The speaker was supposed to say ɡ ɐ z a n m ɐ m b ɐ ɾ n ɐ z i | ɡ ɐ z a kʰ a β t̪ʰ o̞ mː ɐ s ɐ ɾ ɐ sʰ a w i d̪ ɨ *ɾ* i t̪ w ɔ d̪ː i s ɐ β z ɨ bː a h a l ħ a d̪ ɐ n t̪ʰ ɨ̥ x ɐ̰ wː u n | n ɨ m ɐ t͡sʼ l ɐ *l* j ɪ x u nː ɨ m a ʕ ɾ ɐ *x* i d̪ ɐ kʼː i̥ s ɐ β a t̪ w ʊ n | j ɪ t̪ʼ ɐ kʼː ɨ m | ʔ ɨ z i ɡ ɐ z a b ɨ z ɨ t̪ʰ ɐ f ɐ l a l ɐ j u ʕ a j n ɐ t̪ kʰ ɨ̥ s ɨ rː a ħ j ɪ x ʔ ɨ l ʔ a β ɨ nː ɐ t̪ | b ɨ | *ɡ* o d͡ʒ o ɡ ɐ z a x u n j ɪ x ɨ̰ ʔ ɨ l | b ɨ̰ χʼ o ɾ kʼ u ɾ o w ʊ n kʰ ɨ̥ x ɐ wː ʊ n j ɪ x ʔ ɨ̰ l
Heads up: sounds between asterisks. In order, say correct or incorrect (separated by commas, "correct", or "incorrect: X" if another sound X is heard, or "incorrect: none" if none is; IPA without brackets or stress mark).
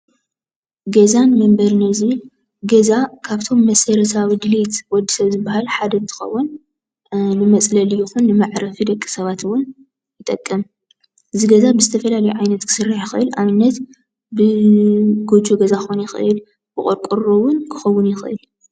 incorrect: l, correct, incorrect: f, correct